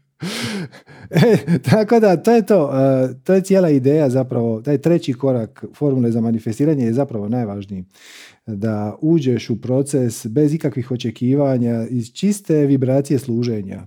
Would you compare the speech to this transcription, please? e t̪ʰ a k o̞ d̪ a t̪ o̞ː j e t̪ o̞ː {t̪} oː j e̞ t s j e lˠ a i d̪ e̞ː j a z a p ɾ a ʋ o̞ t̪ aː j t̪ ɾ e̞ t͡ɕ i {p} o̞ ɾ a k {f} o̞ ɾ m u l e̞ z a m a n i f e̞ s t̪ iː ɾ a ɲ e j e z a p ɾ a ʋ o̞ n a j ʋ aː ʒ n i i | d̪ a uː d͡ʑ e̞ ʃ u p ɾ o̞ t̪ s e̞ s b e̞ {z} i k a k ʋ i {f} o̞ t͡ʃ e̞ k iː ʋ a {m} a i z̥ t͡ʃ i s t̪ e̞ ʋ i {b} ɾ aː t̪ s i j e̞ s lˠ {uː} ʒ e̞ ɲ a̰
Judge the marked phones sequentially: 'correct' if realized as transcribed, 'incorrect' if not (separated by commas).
correct, incorrect, correct, correct, incorrect, incorrect, correct, correct